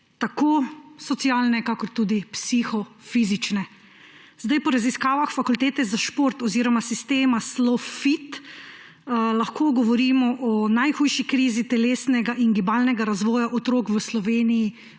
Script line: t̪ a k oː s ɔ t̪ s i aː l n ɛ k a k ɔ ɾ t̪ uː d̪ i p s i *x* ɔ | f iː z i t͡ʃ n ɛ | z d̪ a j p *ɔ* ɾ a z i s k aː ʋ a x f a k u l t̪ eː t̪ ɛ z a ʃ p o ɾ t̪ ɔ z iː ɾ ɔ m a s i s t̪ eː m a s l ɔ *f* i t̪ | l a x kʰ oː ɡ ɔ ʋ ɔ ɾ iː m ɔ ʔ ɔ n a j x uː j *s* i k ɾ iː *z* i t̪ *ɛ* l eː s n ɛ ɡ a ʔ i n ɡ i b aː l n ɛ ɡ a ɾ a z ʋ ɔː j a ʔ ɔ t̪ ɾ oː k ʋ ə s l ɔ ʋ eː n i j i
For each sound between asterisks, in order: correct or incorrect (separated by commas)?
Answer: correct, correct, correct, incorrect, correct, correct